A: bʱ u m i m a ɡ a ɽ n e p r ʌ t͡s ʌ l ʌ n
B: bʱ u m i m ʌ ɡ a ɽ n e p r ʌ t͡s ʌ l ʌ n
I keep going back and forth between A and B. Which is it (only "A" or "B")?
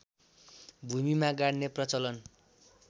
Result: A